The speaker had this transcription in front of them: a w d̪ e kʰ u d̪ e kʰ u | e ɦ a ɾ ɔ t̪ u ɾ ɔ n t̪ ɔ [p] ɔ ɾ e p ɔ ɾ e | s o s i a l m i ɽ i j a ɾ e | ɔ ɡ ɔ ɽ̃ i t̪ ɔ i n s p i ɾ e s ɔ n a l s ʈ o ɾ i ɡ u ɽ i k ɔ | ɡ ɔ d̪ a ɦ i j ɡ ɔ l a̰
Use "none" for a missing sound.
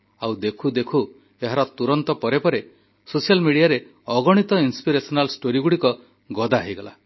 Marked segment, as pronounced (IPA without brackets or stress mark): p